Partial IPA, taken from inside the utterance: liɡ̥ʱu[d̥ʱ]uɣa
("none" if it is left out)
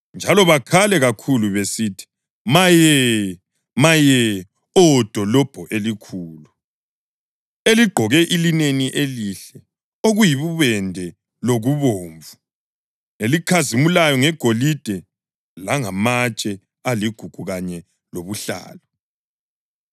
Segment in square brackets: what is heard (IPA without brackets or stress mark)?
ɡ̥ʱ